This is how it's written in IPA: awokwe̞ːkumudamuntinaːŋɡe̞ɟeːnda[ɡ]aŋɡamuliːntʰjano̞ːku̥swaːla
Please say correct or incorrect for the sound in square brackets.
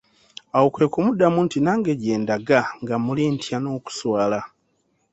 correct